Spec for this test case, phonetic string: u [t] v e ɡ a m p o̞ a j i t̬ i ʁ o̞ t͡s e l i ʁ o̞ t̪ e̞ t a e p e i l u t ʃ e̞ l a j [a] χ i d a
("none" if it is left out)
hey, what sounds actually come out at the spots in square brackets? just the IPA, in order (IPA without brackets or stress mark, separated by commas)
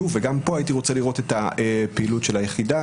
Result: none, e